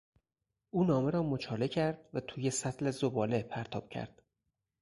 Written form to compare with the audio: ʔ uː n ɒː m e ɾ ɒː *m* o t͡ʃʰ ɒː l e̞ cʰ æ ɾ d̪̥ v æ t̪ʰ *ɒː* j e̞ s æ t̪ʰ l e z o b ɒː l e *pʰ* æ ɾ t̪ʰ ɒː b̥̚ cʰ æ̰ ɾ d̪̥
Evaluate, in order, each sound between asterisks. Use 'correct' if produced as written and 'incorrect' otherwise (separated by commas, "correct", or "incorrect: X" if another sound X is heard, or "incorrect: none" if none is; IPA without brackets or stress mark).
correct, incorrect: uː, correct